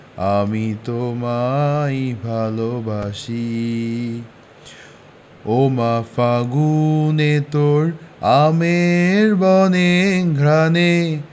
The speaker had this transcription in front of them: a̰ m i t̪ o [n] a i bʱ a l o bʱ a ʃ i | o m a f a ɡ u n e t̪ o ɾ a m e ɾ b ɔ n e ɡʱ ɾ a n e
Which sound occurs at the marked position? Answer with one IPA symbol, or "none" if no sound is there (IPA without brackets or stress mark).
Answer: m